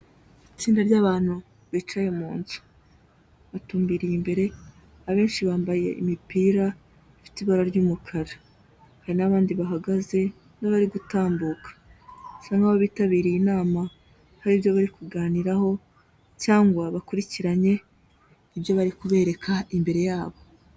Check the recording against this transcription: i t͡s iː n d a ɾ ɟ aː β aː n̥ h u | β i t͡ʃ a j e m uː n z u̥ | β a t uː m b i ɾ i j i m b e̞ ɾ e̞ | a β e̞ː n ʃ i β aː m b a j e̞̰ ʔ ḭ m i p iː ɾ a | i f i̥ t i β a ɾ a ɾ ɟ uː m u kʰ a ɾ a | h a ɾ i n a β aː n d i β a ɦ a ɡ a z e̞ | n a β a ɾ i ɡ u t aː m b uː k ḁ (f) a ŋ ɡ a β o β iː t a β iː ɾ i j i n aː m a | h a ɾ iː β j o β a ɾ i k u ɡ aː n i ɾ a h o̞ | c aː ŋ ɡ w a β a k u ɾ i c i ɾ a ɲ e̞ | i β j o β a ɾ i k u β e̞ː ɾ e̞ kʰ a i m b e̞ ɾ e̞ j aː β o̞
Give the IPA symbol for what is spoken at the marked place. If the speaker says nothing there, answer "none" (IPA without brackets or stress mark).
s